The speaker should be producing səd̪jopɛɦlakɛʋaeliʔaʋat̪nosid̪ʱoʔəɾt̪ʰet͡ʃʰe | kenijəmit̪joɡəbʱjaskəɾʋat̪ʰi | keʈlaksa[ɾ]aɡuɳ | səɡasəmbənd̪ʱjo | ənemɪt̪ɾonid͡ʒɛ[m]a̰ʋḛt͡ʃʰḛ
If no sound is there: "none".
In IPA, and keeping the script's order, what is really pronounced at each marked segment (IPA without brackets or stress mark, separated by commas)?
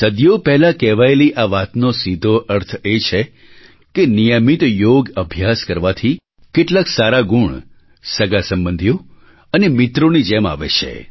ɾ, m